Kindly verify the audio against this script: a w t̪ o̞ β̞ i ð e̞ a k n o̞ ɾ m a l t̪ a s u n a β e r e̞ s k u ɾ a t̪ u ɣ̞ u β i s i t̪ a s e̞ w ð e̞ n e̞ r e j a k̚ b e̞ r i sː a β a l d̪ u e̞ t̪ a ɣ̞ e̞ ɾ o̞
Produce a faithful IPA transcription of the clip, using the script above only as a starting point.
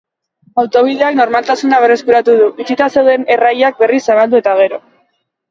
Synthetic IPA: a w t̪ o̞ β̞ i ð e̞ a k n o̞ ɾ m a l t̪ a s u n a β e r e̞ s k u ɾ a t̪ u ð̞ u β i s i t̪ a s e̞ w ð e̞ n e̞ r a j a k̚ b e̞ r i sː a β a l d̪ u e̞ t̪ a ɣ̞ e̞ ɾ o̞